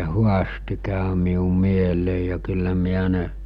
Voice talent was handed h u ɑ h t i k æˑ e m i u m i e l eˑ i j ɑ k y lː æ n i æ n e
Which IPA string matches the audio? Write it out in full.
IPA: h u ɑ s t i k æˑ ø m i u m i e l eˑ i j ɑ k y lː æ m i æ n e